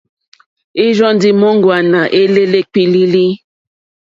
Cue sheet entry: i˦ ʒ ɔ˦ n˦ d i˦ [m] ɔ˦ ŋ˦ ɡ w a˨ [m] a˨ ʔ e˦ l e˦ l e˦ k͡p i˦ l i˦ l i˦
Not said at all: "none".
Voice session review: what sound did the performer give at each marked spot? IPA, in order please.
m, n

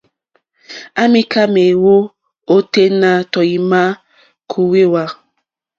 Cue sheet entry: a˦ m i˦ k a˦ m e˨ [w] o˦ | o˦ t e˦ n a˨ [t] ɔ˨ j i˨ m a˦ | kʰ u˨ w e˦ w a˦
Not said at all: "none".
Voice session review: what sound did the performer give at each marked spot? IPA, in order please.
w, t

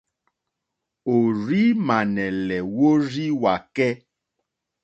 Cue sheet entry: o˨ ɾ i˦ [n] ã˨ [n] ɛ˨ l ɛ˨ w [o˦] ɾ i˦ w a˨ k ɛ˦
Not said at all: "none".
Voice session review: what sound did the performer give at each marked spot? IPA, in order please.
m, n, o˦

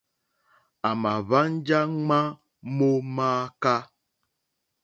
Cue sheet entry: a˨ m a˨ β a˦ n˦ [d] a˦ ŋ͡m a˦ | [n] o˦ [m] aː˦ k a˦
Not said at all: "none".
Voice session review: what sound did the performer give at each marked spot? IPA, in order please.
d͡ʒ, m, m

